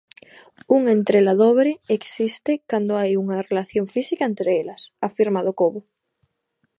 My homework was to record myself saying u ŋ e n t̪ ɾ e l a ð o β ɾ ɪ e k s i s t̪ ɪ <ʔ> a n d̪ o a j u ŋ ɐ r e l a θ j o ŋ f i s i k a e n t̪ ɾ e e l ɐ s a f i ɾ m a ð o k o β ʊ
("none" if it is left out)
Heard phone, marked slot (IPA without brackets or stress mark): k